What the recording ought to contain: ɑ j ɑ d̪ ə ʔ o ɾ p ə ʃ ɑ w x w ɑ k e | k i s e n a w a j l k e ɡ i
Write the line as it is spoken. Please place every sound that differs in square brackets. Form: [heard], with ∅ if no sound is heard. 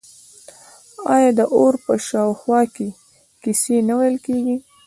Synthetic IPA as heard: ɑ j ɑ d̪ ə ʔ o ɾ p ə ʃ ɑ w x w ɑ k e | k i s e n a w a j l k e ɡ i

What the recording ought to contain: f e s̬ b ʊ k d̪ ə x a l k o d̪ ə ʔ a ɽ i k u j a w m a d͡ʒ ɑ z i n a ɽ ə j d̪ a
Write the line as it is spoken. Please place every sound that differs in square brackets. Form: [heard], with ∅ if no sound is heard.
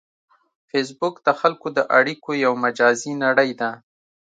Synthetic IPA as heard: f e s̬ b ʊ k d̪ ə x a l k o d̪ ə ʔ a ɽ i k [o] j a w m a d͡ʒ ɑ z i n a ɽ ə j d̪ a

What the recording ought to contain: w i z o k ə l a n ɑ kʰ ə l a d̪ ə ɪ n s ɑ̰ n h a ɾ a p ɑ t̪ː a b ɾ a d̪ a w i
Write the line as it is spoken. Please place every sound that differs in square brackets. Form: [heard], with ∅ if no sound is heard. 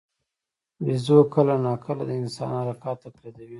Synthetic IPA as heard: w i z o k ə l a n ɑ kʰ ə l a d̪ ə ɪ n s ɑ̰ n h a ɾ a [k] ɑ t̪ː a [p] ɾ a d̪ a w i

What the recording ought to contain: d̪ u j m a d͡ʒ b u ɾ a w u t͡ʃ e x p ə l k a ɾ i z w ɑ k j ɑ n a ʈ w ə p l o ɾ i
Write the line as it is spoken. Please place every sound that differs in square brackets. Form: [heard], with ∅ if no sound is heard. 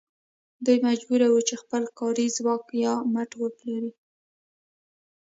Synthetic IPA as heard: d̪ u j m a d͡ʒ b u ɾ a w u t͡ʃ e x p ə l k [ɑ] ɾ i z w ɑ k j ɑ [m] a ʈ w ə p l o ɾ i

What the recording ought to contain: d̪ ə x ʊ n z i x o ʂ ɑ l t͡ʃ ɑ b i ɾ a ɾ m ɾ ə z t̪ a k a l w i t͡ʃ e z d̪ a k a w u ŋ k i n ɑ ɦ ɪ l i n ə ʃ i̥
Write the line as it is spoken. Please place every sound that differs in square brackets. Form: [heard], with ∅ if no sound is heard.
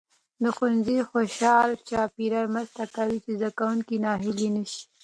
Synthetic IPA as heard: d̪ ə x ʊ n z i x o [ʃ] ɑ l t͡ʃ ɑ [p] i ɾ a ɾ m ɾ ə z t̪ a k a [∅] w i t͡ʃ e z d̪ a k a w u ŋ k i n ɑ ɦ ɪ l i n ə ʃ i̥

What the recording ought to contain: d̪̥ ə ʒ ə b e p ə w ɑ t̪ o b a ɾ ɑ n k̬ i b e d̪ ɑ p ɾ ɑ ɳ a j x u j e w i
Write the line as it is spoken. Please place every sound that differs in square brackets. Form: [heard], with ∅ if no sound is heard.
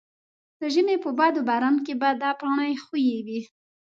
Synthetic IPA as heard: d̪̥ ə ʒ ə [m] e p ə [b] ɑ [d̪] o b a ɾ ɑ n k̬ [e] b [a] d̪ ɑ p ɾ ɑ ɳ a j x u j e w i

